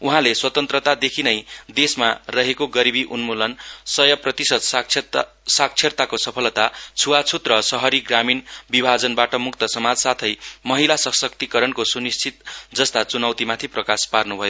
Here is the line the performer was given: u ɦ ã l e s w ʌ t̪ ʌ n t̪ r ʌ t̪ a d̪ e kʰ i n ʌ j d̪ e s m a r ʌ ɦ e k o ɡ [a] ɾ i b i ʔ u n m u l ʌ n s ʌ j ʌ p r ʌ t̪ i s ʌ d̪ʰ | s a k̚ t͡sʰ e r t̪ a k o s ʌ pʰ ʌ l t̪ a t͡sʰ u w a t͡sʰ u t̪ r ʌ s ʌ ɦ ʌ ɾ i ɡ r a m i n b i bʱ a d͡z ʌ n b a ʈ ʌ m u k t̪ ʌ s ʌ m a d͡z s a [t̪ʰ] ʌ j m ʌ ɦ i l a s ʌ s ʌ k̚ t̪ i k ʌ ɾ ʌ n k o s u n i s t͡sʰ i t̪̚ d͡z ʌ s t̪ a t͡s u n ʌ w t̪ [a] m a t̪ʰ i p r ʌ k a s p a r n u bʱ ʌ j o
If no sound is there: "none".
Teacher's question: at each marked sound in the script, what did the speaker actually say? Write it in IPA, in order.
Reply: ʌ, t̪ʰ, i

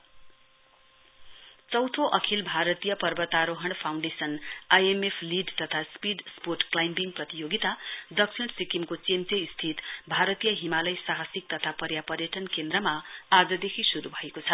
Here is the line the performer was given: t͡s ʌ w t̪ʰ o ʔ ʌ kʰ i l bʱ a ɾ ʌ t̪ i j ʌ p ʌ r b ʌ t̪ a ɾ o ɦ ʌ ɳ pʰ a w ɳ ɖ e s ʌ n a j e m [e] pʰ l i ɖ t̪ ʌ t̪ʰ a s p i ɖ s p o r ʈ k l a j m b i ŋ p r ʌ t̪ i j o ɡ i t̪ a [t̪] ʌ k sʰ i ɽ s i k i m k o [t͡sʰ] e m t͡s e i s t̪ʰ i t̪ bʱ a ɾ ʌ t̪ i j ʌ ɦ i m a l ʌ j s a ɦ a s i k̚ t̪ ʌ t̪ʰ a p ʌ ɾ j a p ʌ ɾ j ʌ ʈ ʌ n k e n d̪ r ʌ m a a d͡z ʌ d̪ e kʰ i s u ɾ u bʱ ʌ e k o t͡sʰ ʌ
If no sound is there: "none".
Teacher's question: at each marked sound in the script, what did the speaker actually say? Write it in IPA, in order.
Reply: e, d̪, t͡s

